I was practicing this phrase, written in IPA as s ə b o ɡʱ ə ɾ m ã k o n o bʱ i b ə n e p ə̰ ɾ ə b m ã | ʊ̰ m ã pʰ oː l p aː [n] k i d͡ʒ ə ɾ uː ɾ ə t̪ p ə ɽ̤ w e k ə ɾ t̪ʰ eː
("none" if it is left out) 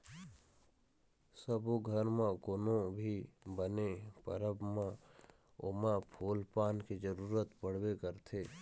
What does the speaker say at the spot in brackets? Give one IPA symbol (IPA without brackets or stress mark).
n